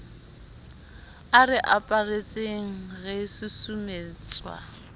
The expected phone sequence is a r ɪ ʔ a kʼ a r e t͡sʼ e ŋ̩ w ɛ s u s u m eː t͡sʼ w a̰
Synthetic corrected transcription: a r ɪ ʔ a pʼ a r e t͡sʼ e ŋ̩ ɣ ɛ s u s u m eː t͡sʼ w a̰